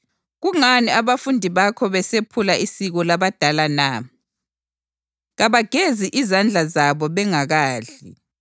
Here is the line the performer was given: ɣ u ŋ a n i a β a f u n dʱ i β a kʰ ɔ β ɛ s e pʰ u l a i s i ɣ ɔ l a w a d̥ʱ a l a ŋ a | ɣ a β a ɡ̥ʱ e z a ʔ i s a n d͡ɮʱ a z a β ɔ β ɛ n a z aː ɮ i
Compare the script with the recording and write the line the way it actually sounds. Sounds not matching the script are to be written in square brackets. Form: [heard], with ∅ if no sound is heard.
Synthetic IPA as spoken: ɣ u ŋ a n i a β a f u n dʱ i β a kʰ ɔ β ɛ s e pʰ u l a i s i ɣ ɔ l a [β] a d̥ʱ a l a [n] a | ɣ a β a ɡ̥ʱ e z [i] ʔ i [z] a n d͡ɮʱ a z a β ɔ β ɛ [ŋ] a [ɣ] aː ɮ i

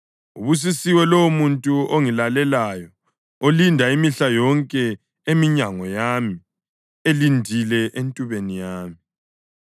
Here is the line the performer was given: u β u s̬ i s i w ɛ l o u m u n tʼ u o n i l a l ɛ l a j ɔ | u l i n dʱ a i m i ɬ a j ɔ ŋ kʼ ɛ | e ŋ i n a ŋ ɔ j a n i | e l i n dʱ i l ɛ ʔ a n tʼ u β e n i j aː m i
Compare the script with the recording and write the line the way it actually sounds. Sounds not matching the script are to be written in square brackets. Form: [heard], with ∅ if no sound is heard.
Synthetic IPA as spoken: u β u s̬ i s i w ɛ l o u m u n tʼ u o [ŋ] i l a l ɛ l a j ɔ | [o] l i n dʱ a i m i ɬ a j ɔ ŋ kʼ ɛ | e [m] i [ɲ] a ŋ ɔ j a [m] i | e l i n dʱ i l ɛ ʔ [e] n tʼ u β e n i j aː m i

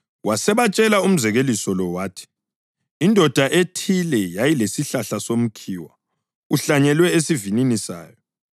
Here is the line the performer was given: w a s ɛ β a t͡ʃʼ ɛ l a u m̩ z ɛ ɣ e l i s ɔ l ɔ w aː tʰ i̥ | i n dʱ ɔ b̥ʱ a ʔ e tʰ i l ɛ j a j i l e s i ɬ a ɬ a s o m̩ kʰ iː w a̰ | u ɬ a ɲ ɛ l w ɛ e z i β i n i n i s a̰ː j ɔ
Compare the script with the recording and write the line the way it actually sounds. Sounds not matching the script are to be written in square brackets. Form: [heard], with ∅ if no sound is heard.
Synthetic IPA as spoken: w a s ɛ β a t͡ʃʼ ɛ l a u m̩ z ɛ ɣ e l i s ɔ l ɔ w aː tʰ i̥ | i n dʱ ɔ [d̥ʱ] a ʔ e tʰ i l ɛ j a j i l e s i ɬ a ɬ a s o m̩ kʰ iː w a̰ | u ɬ a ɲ ɛ l w ɛ e [s] i [v] i n i n i s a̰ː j ɔ

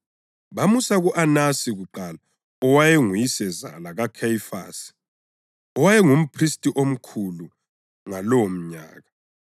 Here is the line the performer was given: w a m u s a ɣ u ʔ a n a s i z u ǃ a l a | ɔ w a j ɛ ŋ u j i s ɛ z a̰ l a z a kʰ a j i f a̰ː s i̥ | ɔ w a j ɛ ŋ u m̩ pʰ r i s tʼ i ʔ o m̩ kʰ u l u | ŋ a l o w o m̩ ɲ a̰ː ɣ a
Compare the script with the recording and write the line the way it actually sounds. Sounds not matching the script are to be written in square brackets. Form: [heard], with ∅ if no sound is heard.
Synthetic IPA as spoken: [β] a m u s a ɣ u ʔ a n a s i [ɣ] u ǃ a l a | ɔ w a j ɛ ŋ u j i s ɛ z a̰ l a [ɣ] a kʰ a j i f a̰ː s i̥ | ɔ w a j ɛ ŋ u m̩ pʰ r i s tʼ i ʔ o m̩ kʰ u l u | ŋ a l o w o m̩ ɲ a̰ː ɣ a

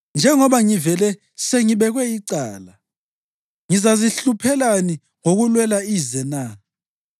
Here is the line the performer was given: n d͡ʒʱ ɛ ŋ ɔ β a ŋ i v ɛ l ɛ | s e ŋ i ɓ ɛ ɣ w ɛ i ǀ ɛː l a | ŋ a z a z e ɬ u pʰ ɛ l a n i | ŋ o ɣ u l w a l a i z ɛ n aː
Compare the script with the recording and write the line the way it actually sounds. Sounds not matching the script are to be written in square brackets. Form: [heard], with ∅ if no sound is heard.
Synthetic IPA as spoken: n d͡ʒʱ ɛ ŋ ɔ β a ŋ i v ɛ l ɛ | s e ŋ i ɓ ɛ ɣ w ɛ i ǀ [aː] l a | ŋ [i] z a z [i] ɬ u pʰ ɛ l a n i | ŋ o ɣ u l w [ɛ] l a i z ɛ n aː

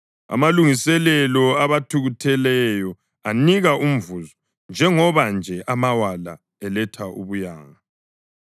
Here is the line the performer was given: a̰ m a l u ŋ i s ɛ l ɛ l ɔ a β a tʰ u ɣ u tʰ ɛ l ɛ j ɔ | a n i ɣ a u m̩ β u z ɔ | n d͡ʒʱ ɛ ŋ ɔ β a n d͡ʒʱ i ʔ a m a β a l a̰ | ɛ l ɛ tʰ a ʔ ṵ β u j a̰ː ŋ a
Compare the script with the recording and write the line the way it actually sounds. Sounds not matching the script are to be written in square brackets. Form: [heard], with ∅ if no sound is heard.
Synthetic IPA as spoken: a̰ m a l u ŋ i s ɛ l ɛ l ɔ a β a tʰ u ɣ u tʰ ɛ l ɛ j ɔ | a n i ɣ a u m̩ [v] u z ɔ | n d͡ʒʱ ɛ ŋ ɔ β a n d͡ʒʱ [ɛ] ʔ a m a [w] a l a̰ | ɛ l ɛ tʰ a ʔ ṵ β u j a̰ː ŋ a

